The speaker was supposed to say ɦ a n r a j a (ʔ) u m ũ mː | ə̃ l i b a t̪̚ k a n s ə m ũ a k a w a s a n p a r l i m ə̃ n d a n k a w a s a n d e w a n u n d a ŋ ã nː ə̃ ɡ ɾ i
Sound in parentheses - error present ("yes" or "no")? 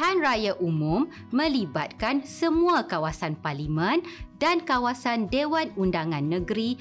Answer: no